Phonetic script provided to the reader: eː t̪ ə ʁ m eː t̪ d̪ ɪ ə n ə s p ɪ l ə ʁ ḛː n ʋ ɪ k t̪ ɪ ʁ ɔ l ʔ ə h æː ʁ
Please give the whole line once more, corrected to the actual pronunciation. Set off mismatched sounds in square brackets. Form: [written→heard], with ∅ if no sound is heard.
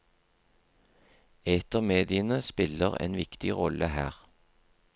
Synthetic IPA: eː t̪ ə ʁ m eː [t̪→∅] d̪ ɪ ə n ə s p ɪ l ə ʁ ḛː n ʋ ɪ k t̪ ɪ ʁ ɔ l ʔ ə h æː ʁ